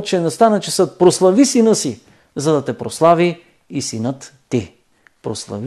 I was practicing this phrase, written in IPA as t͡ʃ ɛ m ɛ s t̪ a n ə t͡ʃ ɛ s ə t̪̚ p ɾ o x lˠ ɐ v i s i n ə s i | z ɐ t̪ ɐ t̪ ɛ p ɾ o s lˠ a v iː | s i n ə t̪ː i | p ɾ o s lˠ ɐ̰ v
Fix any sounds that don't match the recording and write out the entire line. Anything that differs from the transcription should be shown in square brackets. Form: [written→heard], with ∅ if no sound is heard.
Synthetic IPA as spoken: t͡ʃ ɛ [m→n] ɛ s t̪ a n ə t͡ʃ ɛ s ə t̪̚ p ɾ o [x→s] lˠ ɐ v i s i n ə s i | z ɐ [t̪→d̪] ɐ t̪ ɛ p ɾ o s lˠ a v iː | s i n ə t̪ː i | p ɾ o s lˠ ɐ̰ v